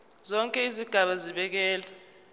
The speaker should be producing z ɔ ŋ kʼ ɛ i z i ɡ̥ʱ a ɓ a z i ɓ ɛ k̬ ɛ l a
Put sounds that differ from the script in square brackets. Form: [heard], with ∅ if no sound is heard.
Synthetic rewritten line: z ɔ ŋ kʼ ɛ i z i ɡ̥ʱ a ɓ a z i ɓ ɛ k̬ [ɛː] l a